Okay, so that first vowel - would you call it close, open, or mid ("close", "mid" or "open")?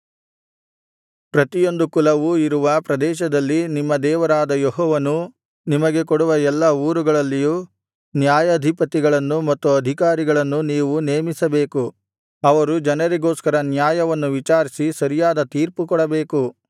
open